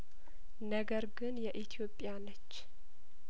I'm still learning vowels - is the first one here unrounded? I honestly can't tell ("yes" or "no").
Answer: yes